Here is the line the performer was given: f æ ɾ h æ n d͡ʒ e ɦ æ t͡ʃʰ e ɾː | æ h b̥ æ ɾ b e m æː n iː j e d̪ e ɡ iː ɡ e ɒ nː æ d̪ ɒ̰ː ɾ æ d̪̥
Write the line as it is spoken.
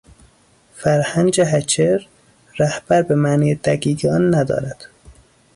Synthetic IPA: f æ ɾ h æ n d͡ʒ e ɦ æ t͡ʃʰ e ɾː | æ h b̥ æ ɾ b e m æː n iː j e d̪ æ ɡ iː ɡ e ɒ nː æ d̪ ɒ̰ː ɾ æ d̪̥